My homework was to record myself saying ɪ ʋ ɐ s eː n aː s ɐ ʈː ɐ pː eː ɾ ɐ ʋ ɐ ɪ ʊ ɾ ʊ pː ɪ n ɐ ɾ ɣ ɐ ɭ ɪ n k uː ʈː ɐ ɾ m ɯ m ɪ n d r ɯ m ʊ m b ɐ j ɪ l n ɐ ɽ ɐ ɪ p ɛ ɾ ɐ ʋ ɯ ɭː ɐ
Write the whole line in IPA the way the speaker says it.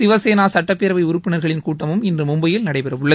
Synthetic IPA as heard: ɪ ʋ ɐ s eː n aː s ɐ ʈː ɐ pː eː ɾ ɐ ʋ ɐ ɪ ʊ ɾ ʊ pː ɪ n ɐ ɾ ɣ ɐ ɭ ɪ n k uː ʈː ɐ m ɯ m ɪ n d r ɯ m ʊ m b ɐ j ɪ l n ɐ ɽ ɐ ɪ p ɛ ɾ ɐ ʋ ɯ ɭː ɐ